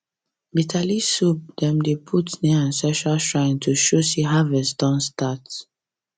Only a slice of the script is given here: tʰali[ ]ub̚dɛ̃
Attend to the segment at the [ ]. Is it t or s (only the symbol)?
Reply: s